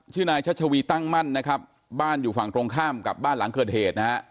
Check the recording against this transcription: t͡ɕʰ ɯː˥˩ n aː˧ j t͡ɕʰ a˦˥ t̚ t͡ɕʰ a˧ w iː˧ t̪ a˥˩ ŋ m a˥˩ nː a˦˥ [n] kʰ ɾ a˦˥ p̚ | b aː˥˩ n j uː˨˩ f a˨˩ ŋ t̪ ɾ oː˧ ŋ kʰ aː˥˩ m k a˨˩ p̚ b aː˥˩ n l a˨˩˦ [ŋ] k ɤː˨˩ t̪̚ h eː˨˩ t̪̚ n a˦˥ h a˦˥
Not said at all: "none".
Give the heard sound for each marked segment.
none, ŋ

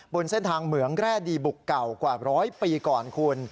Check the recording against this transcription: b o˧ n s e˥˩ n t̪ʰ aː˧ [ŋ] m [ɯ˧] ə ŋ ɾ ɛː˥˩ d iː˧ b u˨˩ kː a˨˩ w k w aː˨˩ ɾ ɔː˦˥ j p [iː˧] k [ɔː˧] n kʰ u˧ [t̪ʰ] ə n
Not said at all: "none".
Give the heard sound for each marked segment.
ŋ, ɯ˩˦, iː˧, ɔː˨˩, none

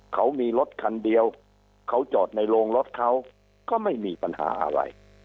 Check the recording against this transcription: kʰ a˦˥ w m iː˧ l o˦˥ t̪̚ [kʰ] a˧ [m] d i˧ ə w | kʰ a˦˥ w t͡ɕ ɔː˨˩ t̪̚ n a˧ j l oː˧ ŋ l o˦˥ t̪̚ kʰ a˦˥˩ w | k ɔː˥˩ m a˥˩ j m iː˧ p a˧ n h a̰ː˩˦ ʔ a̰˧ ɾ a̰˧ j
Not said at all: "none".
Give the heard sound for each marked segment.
kʰ, n

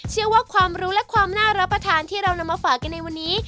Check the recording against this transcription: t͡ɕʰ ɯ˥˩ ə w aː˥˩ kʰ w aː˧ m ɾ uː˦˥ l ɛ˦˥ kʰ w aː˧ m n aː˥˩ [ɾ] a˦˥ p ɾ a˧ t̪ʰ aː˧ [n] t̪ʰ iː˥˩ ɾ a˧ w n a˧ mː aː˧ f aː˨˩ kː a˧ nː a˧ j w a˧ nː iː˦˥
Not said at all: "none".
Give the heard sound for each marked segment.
ɾ, n

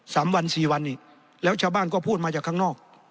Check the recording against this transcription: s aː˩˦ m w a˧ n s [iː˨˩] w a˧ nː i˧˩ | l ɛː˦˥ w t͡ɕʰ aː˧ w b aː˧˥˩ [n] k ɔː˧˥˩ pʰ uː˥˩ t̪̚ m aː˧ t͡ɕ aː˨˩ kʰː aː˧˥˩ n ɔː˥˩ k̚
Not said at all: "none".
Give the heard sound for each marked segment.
iː˨˩, n

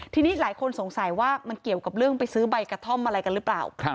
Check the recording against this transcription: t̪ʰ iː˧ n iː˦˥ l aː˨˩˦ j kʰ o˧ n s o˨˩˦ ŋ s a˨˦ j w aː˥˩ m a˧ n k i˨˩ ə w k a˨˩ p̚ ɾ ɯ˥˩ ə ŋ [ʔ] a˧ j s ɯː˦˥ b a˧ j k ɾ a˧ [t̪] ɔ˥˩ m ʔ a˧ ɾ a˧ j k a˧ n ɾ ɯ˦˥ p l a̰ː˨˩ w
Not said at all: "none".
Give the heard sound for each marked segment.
p, t̪ʰ

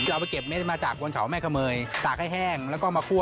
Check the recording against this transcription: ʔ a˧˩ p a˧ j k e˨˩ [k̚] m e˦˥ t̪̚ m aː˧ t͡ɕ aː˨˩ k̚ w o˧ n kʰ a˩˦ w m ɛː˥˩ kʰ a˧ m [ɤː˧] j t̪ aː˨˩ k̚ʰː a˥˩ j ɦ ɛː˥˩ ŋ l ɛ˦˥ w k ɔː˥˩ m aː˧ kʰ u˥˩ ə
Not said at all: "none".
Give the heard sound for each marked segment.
p̚, ɤː˧

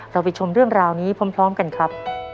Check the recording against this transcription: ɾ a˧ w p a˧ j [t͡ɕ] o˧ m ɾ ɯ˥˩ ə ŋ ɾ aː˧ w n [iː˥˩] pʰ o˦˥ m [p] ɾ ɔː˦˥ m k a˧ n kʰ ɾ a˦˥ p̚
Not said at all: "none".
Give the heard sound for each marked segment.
t͡ɕʰ, iː˦˥, pʰ

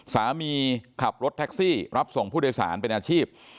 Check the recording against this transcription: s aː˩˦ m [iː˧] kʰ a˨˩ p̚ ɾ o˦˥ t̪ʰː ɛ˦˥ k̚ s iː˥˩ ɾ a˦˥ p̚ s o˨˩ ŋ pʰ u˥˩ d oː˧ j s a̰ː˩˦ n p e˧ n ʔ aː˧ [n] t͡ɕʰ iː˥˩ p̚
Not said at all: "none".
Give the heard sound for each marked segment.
iː˧, none

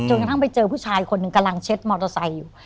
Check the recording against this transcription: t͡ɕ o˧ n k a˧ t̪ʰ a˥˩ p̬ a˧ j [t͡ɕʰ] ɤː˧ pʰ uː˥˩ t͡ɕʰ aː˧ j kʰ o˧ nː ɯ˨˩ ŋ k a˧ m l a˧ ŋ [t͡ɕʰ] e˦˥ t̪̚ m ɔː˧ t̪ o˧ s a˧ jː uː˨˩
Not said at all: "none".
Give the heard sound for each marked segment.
t͡ɕ, t͡ɕʰ

